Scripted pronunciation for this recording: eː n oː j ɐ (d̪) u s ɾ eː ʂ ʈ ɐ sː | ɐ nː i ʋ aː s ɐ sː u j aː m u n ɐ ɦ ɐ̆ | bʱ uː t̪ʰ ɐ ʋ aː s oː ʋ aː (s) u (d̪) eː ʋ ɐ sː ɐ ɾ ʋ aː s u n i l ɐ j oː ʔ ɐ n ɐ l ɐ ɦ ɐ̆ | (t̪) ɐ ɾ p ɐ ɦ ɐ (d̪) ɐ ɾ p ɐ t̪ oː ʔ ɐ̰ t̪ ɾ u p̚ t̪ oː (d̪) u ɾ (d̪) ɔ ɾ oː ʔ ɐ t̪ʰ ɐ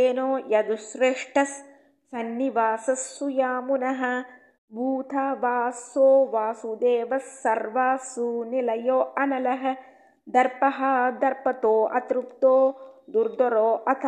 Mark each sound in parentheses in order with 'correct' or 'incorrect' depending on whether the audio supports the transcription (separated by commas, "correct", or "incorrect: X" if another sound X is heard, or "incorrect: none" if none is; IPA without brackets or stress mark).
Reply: correct, correct, correct, incorrect: d̪, correct, correct, correct